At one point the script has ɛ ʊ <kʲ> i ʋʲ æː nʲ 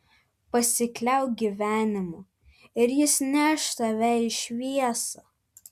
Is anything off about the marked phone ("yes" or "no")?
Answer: yes